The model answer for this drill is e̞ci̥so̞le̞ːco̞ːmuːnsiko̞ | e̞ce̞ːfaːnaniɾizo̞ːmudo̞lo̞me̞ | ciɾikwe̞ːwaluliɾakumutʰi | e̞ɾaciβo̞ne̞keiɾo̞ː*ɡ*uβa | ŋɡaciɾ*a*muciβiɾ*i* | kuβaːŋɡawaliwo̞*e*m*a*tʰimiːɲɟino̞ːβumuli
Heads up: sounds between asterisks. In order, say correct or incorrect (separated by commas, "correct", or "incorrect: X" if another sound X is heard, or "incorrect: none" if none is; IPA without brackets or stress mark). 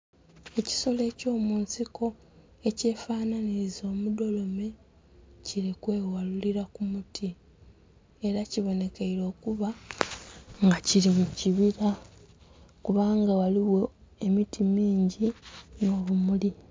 incorrect: k, incorrect: i, incorrect: a, correct, incorrect: i